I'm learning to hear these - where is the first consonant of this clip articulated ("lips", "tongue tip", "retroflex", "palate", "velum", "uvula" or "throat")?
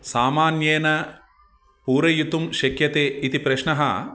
tongue tip